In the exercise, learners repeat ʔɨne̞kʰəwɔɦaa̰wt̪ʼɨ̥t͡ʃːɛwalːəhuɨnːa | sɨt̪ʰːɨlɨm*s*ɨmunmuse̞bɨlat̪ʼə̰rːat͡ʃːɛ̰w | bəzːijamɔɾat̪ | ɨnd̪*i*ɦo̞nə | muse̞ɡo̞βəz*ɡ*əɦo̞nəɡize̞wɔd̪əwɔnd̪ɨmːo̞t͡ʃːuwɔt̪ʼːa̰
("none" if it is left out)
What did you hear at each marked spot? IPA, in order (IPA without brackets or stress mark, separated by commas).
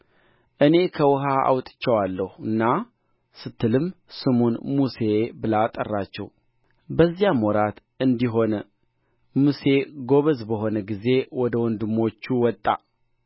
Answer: s, i, b